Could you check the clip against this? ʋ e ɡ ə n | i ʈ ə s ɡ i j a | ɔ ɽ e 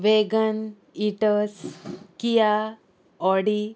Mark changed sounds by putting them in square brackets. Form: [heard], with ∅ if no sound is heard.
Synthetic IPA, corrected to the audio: ʋ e ɡ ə n | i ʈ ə s [k] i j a | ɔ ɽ [i]